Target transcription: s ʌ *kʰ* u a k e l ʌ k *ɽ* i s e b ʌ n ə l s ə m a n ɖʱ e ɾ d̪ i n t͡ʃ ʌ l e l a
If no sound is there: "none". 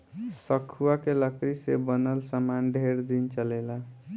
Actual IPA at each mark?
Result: kʰ, ɾ

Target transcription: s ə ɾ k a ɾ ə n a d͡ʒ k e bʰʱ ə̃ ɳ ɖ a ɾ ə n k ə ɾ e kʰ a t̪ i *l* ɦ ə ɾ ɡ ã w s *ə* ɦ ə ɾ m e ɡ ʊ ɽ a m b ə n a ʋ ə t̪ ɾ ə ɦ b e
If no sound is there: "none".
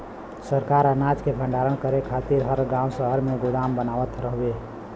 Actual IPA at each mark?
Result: ɾ, ə

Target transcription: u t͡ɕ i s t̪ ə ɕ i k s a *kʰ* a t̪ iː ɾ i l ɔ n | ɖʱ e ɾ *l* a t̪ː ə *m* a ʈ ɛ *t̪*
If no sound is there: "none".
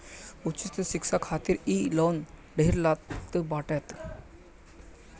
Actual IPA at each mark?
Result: kʰ, l, b, t̪

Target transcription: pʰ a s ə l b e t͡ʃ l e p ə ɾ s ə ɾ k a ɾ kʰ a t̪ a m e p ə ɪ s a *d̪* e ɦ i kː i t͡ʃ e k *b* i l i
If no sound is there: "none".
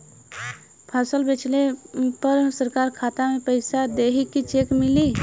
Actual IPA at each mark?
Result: d̪, m

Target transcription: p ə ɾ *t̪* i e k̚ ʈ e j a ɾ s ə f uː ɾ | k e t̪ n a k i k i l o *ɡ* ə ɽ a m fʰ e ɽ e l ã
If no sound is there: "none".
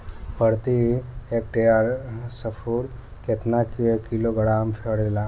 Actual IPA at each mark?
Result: t̪, ɡ

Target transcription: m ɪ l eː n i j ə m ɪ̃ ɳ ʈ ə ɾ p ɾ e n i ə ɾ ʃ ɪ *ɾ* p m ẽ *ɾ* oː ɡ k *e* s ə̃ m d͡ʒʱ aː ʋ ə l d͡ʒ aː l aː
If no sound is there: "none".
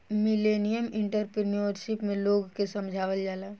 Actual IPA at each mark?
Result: none, l, e

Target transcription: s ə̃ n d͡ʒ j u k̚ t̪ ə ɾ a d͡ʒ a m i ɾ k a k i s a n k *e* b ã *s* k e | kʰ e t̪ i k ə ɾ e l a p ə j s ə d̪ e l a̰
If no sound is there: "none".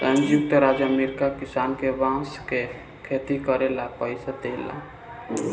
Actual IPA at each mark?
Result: e, s

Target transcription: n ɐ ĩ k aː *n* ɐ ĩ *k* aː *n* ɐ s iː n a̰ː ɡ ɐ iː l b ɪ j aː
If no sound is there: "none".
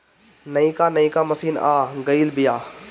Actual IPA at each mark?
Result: n, k, m

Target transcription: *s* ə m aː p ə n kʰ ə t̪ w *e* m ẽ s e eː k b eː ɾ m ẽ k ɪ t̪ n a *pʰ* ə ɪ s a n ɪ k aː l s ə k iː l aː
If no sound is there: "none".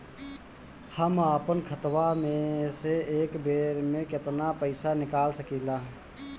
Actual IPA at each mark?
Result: h, a, p

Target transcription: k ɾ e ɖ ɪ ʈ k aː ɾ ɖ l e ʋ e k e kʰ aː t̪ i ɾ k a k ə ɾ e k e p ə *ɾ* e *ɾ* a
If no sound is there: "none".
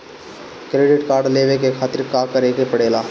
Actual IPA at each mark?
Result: ɽ, l

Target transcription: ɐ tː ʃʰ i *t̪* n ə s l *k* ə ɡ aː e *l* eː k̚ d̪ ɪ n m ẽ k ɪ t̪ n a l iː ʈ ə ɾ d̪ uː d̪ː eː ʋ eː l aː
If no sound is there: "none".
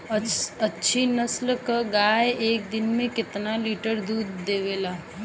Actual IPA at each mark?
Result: none, k, none

